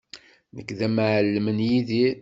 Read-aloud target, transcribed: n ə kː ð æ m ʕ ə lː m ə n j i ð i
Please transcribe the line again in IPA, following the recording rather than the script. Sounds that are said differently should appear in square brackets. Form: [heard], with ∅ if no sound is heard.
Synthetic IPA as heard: n ə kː ð æ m ʕ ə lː m ə n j i ð i